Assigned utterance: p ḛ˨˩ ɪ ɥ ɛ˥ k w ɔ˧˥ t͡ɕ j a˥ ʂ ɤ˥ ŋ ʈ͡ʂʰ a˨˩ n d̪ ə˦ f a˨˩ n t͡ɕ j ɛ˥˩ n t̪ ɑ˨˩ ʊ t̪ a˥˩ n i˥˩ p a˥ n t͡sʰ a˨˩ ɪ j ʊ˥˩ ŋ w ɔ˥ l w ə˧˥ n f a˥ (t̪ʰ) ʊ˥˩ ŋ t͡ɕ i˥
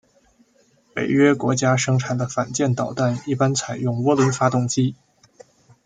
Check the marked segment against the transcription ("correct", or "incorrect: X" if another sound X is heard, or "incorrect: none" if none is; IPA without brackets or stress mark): incorrect: t̪